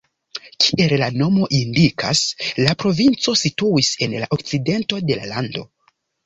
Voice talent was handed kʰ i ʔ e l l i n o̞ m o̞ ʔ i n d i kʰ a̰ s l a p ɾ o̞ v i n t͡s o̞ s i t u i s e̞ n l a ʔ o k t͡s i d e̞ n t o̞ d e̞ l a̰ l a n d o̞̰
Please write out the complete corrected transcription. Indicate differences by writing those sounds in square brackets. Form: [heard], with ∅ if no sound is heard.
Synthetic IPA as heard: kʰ i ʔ e l l [a] n o̞ m o̞ ʔ i n d i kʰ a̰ s l a p ɾ o̞ v i n t͡s o̞ s i t u i s e̞ n l a ʔ o k t͡s i d e̞ n t o̞ d e̞ l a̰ l a n d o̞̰